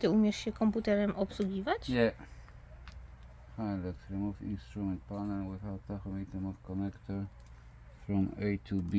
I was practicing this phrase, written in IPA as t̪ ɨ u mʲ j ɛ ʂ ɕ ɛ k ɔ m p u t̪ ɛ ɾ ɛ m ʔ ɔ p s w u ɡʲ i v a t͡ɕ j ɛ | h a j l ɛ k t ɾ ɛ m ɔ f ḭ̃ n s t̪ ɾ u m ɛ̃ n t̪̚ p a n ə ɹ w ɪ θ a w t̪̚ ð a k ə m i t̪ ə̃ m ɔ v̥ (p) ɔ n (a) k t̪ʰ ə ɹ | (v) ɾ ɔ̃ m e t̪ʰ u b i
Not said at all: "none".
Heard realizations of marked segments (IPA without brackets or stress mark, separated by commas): k, ɛ, f